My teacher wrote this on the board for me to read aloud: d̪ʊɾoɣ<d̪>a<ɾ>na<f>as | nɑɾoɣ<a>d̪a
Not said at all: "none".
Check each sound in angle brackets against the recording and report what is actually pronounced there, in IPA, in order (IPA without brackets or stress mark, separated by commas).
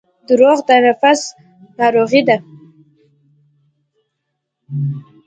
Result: d̪, none, f, i